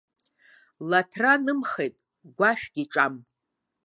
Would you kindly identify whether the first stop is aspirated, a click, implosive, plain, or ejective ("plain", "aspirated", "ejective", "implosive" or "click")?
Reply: aspirated